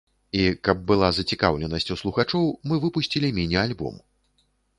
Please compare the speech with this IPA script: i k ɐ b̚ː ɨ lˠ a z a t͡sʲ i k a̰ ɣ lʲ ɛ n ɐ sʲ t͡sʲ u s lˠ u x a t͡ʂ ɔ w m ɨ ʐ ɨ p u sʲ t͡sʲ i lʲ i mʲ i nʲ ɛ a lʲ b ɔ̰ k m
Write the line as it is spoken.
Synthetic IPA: i k ɐ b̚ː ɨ lˠ a z ɐ t͡sʲ i k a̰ w lʲ ɛ n ɐ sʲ t͡sʲ u s lˠ u x a t͡ʂ ɔ w m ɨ v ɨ p u sʲ t͡sʲ i lʲ i mʲ i nʲ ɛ a lʲ b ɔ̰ m